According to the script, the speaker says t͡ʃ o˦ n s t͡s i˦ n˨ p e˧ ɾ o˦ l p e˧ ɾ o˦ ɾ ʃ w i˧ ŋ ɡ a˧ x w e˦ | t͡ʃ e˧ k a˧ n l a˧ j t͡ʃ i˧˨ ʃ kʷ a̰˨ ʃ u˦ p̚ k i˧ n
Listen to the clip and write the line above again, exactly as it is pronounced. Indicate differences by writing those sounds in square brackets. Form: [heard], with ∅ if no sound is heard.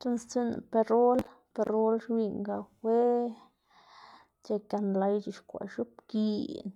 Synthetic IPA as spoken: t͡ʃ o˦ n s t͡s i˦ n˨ p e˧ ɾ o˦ l p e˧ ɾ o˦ [l] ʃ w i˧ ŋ ɡ a˧ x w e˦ | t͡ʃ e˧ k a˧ n l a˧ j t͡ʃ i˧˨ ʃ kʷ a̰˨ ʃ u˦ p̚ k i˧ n